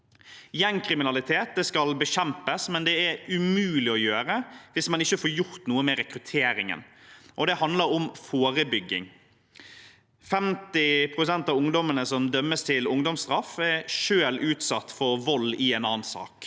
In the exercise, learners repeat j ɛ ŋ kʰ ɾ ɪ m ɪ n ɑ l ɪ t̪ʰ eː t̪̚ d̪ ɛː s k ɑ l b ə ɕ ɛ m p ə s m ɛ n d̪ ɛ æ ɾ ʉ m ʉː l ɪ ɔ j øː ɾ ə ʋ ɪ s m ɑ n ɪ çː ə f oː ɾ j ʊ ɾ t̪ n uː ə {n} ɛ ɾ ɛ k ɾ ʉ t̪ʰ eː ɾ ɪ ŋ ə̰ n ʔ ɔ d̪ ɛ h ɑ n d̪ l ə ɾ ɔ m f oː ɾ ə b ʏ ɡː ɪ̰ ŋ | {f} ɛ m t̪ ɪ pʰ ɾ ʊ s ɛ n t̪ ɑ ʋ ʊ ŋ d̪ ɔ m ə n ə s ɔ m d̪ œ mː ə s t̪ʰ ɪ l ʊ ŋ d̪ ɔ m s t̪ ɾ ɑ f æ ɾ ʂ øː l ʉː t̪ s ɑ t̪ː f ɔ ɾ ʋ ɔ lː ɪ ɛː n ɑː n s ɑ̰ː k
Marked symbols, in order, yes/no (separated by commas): no, yes